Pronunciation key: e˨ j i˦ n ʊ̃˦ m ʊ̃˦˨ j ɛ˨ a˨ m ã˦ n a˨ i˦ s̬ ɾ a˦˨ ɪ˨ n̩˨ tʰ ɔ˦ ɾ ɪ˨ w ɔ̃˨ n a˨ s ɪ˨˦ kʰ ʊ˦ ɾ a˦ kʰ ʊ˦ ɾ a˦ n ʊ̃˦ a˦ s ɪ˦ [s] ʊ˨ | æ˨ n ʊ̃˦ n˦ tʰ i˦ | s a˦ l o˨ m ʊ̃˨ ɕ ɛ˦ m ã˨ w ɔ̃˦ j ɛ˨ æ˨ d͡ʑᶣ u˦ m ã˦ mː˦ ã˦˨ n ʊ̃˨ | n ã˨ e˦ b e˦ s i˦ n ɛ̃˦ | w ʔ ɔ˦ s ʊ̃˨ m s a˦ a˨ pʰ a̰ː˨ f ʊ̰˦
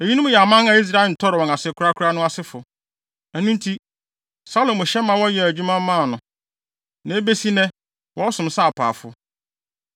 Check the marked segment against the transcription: incorrect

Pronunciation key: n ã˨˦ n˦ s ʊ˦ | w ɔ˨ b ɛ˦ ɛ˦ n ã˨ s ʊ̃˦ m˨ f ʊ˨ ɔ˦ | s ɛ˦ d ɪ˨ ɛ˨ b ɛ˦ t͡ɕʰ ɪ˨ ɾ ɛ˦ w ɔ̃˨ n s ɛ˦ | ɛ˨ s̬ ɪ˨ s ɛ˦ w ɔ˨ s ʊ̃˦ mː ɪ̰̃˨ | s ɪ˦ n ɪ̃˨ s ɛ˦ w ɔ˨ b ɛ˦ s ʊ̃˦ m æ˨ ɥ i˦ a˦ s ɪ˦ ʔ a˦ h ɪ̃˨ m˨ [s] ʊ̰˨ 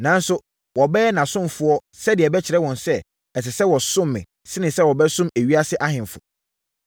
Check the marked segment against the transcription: incorrect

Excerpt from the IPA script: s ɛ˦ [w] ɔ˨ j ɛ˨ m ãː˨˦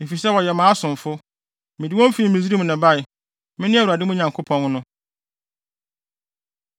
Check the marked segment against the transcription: correct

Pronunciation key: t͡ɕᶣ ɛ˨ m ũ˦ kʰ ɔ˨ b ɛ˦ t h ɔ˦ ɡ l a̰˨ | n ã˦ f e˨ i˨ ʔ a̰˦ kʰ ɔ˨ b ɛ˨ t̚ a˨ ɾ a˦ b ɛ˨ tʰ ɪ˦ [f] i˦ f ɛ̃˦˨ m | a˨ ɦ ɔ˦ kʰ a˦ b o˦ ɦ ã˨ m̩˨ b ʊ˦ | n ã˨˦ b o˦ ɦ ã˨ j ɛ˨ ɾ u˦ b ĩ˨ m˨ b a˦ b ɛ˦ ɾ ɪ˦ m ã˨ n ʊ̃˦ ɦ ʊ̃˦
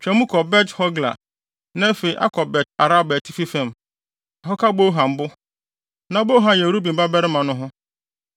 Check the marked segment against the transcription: correct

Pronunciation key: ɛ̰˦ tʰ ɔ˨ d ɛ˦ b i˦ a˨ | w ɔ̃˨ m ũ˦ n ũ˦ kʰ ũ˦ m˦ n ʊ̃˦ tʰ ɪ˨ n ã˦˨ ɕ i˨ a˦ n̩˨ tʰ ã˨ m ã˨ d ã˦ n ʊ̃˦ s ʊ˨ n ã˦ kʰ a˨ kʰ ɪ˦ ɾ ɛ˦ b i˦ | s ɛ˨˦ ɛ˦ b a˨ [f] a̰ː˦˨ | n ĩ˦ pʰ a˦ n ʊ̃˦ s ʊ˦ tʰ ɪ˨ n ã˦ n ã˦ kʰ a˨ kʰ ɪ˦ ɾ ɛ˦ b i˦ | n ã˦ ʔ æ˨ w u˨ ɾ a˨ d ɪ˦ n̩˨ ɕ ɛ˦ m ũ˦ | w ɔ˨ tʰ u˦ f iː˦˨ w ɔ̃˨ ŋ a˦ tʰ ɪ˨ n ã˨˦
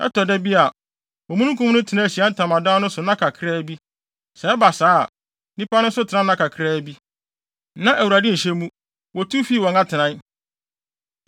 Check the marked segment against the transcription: incorrect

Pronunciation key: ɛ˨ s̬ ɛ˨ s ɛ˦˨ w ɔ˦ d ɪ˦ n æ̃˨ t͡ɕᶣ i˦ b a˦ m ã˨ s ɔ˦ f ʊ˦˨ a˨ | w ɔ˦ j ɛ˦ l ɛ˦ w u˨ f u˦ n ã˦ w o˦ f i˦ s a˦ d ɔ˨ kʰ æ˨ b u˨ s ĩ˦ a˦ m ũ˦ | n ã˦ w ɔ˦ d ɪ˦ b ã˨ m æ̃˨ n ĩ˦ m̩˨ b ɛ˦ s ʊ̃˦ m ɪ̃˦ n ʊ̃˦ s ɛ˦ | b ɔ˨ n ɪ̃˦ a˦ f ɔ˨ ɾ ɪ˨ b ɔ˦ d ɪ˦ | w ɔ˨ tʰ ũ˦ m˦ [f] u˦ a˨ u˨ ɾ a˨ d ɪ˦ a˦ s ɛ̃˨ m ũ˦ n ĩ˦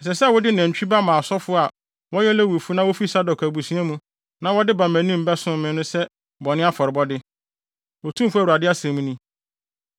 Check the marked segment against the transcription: correct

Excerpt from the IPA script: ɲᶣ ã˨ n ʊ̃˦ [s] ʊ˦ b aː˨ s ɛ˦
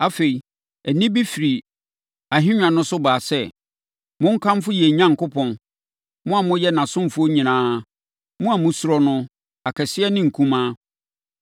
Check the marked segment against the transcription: correct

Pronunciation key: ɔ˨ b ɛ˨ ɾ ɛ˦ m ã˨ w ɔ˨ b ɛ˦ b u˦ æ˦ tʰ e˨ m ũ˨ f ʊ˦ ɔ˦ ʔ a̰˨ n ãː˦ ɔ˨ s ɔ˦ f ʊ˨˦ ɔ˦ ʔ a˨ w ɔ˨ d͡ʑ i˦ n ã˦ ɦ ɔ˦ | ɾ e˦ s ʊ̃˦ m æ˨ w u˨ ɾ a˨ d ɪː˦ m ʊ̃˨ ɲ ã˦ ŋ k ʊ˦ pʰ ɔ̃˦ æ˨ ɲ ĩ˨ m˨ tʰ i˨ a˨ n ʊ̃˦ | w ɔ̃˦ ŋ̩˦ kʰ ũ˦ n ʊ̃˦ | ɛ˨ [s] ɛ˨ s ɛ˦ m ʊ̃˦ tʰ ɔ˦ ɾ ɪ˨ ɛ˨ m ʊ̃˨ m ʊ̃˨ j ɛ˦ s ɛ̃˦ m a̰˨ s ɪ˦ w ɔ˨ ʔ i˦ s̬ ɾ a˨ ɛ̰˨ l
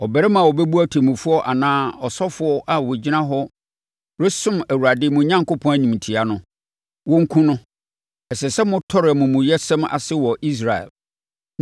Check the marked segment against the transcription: correct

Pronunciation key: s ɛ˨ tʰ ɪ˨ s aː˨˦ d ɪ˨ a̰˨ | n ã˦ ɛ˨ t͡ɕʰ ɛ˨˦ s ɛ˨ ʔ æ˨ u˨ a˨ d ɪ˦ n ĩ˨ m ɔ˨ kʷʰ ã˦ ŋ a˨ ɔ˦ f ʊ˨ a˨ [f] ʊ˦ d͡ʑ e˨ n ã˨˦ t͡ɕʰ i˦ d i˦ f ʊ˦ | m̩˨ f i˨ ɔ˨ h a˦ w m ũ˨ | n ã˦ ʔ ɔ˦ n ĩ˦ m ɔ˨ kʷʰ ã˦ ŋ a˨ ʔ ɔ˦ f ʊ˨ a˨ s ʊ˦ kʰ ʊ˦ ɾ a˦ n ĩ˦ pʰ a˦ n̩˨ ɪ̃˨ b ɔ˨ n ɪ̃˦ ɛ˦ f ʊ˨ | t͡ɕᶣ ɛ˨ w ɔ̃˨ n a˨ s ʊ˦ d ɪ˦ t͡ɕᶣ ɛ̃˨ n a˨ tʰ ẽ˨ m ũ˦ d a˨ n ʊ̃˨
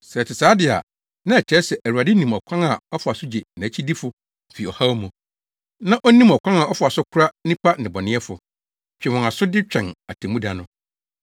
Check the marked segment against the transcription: incorrect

